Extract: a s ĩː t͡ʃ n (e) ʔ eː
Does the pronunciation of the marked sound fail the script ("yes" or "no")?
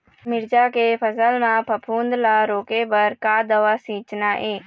yes